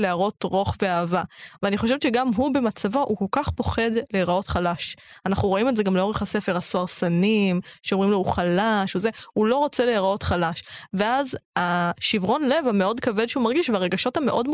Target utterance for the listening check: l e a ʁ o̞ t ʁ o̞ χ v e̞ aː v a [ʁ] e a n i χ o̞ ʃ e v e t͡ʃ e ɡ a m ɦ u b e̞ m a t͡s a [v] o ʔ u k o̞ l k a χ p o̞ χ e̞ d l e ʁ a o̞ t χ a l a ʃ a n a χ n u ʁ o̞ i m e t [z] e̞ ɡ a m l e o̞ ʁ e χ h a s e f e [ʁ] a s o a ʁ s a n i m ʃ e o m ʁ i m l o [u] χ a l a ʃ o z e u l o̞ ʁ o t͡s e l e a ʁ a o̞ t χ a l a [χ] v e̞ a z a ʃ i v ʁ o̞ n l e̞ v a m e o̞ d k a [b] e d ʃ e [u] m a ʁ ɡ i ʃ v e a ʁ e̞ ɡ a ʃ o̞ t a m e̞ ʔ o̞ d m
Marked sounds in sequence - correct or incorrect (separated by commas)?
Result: incorrect, correct, correct, correct, correct, incorrect, incorrect, correct